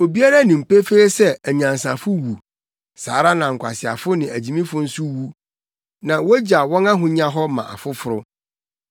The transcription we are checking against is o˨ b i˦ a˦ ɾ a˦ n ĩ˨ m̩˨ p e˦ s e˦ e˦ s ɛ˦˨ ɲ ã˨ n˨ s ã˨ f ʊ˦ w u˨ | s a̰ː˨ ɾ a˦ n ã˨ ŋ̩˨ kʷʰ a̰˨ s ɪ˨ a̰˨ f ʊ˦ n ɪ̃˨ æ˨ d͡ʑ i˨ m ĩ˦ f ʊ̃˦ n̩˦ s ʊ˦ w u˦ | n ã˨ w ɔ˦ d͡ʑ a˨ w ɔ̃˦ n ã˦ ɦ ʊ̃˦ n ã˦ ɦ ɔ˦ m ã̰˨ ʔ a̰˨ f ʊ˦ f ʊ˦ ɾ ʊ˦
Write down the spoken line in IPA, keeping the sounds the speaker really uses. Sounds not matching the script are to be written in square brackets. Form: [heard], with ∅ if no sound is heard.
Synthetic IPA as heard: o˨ b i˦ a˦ ɾ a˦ n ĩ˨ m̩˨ p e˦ [f] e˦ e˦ s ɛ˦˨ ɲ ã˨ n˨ s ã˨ f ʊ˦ w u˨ | s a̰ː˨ ɾ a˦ n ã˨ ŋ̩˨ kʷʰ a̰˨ s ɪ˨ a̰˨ f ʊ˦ n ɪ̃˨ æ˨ d͡ʑ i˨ m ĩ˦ f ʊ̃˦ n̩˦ s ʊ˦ w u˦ | n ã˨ w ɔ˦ d͡ʑ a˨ w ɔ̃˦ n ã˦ ɦ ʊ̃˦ [ɲ] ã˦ ɦ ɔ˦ m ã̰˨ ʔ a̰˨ f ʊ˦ f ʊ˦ ɾ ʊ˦